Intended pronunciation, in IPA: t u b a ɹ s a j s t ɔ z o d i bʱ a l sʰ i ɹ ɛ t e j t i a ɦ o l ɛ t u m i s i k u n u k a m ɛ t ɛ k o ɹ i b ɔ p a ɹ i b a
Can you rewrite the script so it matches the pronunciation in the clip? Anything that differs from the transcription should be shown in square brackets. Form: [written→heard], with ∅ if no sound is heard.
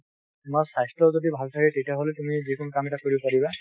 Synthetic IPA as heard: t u [b→m] a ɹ s a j s t ɔ z o d i bʱ a l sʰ [i→a] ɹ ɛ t e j t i a ɦ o l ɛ t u m i [s→z] i k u n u k a m ɛ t [ɛ→a] k o ɹ i b ɔ p a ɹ i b a